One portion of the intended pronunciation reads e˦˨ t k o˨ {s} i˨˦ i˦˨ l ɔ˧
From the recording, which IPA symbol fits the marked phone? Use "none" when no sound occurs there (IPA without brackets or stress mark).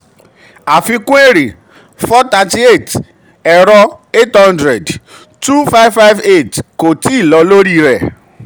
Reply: t